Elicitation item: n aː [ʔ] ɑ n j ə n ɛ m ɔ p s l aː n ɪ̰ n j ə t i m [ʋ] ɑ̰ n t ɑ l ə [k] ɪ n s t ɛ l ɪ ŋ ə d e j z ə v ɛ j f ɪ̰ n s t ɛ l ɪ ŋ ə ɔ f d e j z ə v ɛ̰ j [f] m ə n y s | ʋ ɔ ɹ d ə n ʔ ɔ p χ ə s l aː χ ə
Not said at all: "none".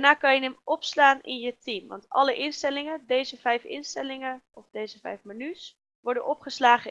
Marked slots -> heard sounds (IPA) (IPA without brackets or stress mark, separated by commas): k, ʋ, ʔ, f